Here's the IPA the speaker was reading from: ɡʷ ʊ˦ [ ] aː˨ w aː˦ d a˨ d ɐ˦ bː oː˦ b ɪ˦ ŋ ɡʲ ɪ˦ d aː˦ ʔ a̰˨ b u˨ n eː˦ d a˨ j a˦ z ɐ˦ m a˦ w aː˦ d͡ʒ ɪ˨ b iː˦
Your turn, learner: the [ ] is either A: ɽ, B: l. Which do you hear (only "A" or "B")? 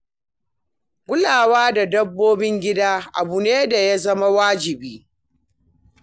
B